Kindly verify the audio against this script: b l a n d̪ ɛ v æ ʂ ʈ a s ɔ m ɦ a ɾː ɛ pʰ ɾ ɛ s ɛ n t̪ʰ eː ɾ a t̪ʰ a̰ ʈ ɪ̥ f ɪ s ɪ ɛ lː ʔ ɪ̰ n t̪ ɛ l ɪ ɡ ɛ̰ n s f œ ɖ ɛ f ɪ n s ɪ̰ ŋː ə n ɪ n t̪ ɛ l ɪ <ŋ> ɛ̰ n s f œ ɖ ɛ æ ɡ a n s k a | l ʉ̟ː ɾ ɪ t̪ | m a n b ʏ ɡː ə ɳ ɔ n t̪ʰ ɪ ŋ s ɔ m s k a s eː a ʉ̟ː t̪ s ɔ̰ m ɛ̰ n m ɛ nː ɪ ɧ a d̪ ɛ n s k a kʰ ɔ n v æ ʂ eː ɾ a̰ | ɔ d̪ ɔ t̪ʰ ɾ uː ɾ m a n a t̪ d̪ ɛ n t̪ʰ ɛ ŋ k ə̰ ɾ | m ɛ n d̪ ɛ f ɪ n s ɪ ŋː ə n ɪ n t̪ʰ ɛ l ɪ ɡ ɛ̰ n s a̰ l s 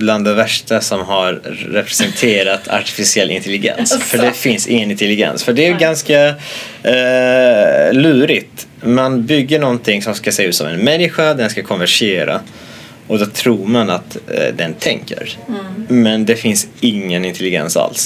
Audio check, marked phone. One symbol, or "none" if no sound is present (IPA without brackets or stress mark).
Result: ɡ